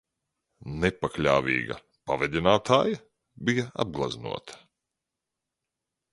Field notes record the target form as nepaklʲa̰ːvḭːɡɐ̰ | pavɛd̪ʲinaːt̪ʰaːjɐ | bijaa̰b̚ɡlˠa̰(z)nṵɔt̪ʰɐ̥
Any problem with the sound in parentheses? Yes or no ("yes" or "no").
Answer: no